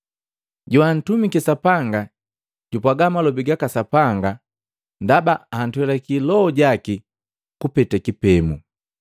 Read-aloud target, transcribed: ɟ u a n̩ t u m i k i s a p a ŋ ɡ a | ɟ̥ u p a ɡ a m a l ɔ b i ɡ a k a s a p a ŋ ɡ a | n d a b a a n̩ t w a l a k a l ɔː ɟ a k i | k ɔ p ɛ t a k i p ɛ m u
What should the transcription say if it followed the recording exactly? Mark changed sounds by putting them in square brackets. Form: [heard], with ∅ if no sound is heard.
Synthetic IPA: ɟ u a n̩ t u m i k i s a p a ŋ ɡ a | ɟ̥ u p a ɡ a m a l ɔ b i ɡ a k a s a p a ŋ ɡ a | n d a b a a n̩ t w [ɛ] l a k [i] l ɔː ɟ a k i | k [u] p ɛ t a k i p ɛ m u